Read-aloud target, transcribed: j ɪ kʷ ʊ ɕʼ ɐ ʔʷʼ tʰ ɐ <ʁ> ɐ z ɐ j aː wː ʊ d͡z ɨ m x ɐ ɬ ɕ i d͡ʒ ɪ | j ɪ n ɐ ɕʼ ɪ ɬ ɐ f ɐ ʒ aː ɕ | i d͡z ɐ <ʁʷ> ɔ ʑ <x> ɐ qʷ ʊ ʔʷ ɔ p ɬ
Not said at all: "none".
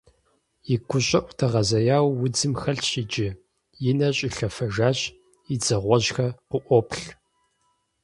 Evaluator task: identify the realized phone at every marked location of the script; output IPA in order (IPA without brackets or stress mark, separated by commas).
ʁ, ʁʷ, x